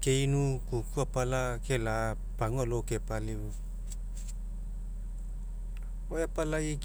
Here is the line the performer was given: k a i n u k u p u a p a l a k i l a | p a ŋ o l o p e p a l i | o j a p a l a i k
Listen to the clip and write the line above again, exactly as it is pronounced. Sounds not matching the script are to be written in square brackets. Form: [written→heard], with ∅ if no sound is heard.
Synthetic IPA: k [a→e] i n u k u [p→k] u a p a l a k [i→e] l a | p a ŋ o l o [p→k] e p a l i | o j a p a l a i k